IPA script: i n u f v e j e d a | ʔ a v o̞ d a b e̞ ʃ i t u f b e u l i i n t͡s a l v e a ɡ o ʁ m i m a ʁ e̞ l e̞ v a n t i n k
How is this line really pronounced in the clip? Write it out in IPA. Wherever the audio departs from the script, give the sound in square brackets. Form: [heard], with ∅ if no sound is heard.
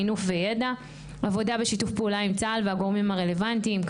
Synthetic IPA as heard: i n u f v e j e d a | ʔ a v o̞ d a b e̞ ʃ i t u f [p] e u l [a] i [m] t͡s a l v e a ɡ o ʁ m i m a ʁ e̞ l e̞ v a n t i [m] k